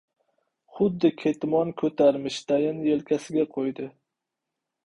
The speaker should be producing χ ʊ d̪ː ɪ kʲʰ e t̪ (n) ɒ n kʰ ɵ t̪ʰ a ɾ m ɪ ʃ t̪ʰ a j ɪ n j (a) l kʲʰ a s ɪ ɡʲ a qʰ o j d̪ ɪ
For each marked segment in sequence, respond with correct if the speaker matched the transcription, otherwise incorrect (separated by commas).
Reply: incorrect, incorrect